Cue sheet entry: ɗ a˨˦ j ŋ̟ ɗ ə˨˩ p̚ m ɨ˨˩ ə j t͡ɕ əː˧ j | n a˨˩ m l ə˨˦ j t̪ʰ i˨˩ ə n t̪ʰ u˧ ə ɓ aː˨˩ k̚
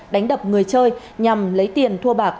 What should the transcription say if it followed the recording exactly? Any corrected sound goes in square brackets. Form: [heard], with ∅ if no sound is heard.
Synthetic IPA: ɗ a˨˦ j ŋ̟ ɗ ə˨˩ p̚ [ŋ] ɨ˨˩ ə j t͡ɕ əː˧ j | [ɲ] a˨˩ m l ə˨˦ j [t̪] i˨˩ ə n t̪ʰ u˧ ə ɓ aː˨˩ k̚